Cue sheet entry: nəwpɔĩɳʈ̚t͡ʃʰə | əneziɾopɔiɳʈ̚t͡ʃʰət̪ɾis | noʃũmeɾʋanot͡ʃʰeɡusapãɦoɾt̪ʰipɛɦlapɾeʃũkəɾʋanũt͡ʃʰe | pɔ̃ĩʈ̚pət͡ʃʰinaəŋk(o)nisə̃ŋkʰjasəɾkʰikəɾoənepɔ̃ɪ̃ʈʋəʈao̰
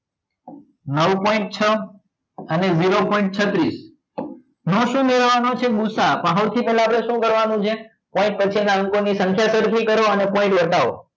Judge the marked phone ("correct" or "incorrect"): correct